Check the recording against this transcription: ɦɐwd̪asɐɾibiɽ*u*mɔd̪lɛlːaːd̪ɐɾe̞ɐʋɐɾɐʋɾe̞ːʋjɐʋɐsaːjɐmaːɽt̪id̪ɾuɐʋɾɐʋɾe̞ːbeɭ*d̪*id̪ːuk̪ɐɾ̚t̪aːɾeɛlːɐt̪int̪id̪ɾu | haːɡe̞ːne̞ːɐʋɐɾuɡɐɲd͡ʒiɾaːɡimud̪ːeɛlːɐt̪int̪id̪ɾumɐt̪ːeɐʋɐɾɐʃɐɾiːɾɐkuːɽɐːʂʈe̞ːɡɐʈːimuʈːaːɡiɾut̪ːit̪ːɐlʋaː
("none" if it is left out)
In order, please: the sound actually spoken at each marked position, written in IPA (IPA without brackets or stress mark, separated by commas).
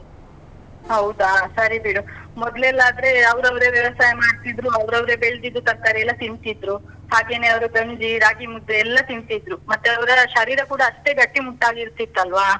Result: u, d̪